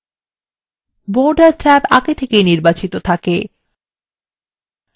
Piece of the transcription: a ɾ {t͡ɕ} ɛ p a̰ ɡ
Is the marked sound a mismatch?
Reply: no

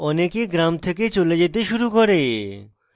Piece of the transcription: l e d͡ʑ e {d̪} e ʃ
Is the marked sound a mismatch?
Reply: yes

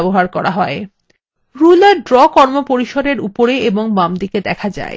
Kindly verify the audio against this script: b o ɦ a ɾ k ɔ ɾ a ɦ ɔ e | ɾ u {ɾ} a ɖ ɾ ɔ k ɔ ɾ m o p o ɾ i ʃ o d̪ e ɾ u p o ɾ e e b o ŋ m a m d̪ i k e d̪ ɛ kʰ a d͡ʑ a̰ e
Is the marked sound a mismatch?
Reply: yes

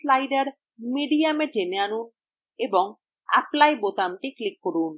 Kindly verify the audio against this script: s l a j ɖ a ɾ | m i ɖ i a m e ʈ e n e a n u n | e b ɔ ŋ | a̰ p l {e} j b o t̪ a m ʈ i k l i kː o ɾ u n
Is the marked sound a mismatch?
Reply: yes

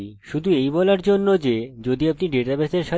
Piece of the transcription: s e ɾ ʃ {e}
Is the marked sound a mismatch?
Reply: yes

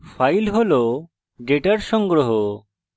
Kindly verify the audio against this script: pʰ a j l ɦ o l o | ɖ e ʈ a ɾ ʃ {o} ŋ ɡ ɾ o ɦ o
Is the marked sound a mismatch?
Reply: yes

